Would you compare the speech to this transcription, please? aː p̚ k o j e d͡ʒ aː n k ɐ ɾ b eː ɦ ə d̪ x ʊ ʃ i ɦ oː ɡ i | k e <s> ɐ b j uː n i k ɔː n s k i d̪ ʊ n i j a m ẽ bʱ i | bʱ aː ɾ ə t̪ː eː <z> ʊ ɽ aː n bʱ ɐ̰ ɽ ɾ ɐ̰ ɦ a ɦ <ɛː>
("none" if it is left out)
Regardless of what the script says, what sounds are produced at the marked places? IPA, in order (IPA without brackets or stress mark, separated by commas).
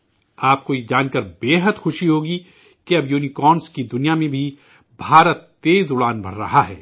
none, z, ɛː